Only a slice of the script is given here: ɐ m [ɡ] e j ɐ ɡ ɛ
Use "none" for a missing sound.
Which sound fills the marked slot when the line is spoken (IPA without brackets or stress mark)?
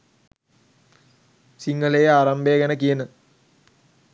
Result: b